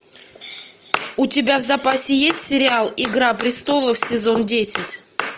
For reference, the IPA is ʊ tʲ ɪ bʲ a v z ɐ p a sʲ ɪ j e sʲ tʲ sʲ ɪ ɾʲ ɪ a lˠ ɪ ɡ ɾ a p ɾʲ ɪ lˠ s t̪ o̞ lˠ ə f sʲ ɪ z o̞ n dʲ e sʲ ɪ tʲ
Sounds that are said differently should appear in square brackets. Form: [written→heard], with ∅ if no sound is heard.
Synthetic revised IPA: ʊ tʲ ɪ bʲ a v z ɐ p a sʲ ɪ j e sʲ tʲ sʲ ɪ ɾʲ ɪ a lˠ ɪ ɡ ɾ a p ɾʲ ɪ [lˠ→∅] s t̪ o̞ lˠ ə f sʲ ɪ z o̞ n dʲ e sʲ ɪ tʲ